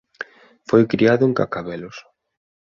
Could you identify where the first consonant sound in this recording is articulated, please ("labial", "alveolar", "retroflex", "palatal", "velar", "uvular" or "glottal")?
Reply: labial